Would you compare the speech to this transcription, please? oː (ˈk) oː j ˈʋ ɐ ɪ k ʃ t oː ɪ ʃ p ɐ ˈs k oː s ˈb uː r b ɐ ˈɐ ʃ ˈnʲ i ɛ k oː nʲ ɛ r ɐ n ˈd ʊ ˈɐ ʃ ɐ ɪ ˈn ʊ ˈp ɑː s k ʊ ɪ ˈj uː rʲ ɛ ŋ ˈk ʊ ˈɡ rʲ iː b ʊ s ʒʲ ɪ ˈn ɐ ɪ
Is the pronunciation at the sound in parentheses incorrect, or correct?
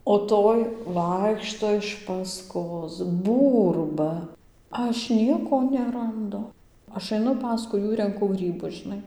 incorrect